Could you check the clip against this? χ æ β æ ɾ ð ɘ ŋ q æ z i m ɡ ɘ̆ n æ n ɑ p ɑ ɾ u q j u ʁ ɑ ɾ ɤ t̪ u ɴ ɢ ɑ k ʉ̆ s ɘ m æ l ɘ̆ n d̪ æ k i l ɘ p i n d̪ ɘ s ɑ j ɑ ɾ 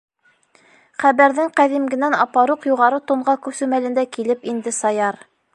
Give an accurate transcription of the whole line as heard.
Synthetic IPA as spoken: χ æ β æ ɾ ð ɘ ŋ q æ ð i m ɡ ɘ̆ n æ n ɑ p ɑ ɾ u q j u ʁ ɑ ɾ ɤ t̪ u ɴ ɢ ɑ k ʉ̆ s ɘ m æ l ɘ̆ n d̪ æ k i l ɘ p i n d̪ ɘ s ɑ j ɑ ɾ